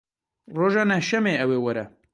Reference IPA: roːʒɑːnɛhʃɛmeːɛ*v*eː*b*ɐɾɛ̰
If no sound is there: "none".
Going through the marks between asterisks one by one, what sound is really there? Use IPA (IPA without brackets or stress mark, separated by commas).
w, w